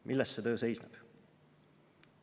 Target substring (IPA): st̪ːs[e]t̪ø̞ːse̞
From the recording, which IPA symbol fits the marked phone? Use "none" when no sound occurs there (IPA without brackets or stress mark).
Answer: e